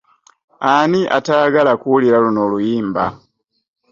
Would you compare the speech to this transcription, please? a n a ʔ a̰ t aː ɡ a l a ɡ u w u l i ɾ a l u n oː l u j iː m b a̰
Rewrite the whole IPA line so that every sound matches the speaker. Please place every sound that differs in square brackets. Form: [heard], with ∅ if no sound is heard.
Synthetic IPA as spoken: a n [i] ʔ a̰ t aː ɡ a l a [k] u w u l i ɾ a l u n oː l u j iː m b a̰